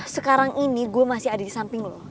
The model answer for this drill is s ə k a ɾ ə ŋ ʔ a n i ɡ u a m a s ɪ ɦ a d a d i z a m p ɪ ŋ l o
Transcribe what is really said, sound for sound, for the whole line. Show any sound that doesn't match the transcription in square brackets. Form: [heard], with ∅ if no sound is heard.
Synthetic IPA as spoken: s ə k a ɾ [a] ŋ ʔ [i] n i ɡ u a m a s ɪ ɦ a d a d i [s] a m p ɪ ŋ l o